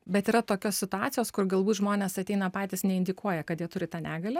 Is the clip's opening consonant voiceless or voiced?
voiced